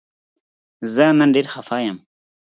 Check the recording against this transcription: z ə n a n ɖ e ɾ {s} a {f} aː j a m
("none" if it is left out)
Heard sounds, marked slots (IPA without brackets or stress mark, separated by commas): x, f